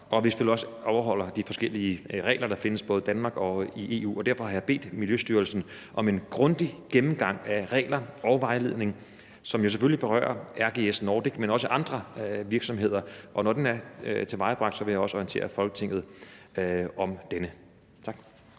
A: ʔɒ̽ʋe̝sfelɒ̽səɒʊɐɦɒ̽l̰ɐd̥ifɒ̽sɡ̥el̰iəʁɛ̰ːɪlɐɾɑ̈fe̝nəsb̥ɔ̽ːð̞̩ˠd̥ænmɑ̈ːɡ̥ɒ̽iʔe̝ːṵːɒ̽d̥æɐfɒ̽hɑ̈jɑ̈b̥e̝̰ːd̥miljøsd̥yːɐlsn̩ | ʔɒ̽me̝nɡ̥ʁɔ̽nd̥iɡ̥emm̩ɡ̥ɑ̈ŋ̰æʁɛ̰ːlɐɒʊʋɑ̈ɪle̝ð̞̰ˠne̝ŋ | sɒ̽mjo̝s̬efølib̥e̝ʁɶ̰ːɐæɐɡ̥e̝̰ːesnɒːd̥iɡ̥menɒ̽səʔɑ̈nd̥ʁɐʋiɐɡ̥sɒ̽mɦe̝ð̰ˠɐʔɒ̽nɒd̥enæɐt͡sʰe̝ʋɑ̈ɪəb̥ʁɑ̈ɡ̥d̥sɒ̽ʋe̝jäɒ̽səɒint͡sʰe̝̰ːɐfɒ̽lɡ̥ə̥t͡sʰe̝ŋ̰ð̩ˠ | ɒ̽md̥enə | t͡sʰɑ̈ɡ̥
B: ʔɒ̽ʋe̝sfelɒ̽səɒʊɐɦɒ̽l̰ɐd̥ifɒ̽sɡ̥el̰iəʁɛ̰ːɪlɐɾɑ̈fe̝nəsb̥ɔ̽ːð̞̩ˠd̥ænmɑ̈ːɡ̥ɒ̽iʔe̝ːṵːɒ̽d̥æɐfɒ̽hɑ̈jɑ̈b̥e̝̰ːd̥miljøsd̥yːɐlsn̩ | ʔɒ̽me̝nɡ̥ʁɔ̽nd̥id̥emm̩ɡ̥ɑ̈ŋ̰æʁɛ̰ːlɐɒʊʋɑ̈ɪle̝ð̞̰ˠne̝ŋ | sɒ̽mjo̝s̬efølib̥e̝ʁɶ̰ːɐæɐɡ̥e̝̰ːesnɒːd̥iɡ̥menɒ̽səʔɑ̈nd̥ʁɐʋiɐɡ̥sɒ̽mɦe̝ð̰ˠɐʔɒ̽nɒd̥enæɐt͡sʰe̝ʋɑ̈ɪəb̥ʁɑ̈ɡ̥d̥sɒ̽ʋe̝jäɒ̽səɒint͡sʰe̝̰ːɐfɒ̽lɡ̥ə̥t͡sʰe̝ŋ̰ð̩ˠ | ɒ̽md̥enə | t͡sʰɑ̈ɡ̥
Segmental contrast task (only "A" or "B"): A